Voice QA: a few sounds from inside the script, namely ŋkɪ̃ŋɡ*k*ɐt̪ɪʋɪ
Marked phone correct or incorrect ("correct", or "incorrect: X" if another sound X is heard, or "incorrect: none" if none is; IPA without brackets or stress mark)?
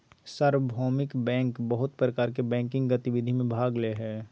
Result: incorrect: ɡ